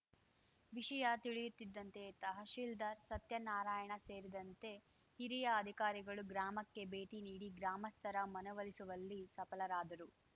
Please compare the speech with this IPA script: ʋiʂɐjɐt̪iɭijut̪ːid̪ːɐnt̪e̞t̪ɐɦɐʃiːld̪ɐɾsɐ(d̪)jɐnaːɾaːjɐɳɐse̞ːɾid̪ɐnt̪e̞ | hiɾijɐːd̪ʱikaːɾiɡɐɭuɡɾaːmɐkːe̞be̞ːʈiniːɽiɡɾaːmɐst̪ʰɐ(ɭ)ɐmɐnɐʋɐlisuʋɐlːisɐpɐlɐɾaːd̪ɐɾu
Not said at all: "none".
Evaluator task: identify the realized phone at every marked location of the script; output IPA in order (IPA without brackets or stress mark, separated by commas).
t̪, ɾ